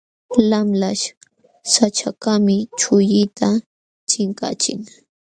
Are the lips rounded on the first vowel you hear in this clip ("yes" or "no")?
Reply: no